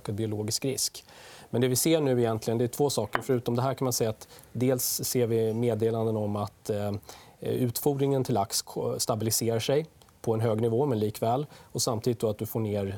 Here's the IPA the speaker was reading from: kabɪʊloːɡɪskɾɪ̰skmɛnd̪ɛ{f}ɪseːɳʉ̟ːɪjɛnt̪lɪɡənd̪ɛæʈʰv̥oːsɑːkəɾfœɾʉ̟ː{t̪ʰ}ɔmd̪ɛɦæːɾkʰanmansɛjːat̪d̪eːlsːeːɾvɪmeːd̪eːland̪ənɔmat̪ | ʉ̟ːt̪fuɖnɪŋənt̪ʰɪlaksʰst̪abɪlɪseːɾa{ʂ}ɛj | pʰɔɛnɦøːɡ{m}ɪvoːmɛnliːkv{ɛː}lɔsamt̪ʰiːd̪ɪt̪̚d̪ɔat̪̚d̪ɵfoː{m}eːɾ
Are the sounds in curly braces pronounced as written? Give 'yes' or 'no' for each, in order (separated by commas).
no, no, yes, no, yes, no